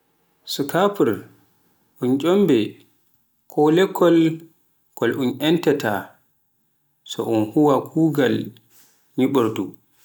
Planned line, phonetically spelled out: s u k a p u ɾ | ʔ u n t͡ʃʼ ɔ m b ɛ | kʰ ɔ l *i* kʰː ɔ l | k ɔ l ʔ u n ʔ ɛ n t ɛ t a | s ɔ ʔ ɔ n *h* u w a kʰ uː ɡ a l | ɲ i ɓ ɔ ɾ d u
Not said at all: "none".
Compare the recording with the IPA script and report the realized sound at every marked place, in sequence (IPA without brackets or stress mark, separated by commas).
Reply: ɛ, h